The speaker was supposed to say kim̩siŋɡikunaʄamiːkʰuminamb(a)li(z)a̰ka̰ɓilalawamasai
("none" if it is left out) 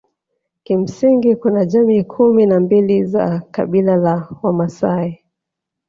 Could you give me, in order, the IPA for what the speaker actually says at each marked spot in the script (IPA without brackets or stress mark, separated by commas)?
i, z